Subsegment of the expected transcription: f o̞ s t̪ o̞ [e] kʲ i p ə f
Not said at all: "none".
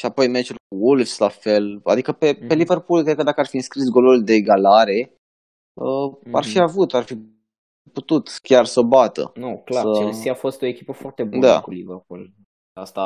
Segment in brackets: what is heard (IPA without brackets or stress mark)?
e